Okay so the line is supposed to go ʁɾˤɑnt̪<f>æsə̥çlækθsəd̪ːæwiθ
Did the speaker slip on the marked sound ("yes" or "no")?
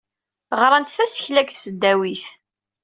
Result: yes